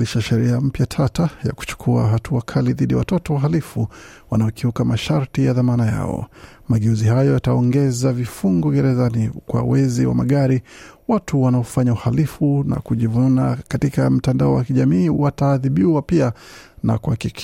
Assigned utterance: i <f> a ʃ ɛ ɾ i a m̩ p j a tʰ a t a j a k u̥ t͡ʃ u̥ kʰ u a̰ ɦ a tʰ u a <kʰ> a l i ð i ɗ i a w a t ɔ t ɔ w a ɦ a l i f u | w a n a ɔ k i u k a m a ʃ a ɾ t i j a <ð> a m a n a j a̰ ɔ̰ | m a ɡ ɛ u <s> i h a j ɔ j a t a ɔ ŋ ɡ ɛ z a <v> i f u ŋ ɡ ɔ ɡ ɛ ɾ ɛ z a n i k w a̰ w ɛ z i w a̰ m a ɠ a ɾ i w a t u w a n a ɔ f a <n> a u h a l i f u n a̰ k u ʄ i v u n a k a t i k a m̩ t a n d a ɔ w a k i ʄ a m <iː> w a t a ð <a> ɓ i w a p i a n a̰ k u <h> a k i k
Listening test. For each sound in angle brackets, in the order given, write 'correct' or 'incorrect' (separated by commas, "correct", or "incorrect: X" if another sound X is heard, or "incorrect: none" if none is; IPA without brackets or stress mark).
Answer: incorrect: ʃ, correct, correct, incorrect: z, correct, incorrect: ɲ, correct, incorrect: i, correct